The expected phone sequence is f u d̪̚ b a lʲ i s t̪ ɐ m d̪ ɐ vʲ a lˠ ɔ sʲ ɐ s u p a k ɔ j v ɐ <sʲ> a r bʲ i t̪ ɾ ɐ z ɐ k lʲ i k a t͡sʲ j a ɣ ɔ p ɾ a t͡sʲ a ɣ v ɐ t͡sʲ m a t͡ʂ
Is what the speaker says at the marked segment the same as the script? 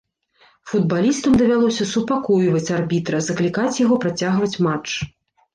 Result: no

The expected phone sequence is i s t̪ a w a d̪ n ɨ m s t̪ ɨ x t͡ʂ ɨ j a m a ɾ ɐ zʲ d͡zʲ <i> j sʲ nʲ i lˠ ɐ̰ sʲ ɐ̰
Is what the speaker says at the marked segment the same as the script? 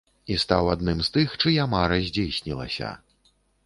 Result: no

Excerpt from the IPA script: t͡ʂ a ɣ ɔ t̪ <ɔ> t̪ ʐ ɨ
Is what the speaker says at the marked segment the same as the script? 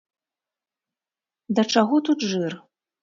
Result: no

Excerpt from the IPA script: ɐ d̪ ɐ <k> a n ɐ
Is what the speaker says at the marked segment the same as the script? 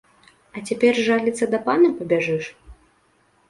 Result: no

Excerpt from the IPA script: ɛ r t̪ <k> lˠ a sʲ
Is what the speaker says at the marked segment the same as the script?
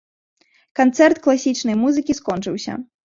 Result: yes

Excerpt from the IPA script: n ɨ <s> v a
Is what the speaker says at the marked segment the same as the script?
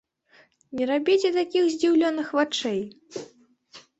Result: no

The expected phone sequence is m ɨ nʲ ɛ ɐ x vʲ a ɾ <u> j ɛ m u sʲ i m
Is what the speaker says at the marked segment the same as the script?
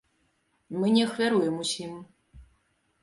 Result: yes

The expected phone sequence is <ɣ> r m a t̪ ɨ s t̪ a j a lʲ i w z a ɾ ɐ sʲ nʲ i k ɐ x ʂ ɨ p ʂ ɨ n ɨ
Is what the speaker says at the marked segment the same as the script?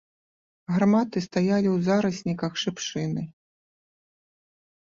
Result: yes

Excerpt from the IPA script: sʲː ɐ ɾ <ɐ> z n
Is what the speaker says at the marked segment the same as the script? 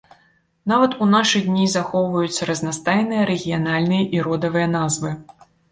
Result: yes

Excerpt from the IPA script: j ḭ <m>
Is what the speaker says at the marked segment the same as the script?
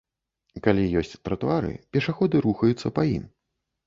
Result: yes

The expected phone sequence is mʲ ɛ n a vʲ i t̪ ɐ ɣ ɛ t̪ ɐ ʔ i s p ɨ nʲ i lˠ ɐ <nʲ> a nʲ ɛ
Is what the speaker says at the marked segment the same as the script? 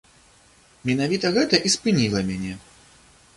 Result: no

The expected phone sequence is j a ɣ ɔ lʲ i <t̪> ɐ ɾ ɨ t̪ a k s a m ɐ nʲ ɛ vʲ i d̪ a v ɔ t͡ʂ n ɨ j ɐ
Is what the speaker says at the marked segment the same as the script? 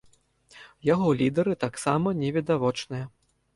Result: no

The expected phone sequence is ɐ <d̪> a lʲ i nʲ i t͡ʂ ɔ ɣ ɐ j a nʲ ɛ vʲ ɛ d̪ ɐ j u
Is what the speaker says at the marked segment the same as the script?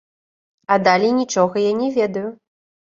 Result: yes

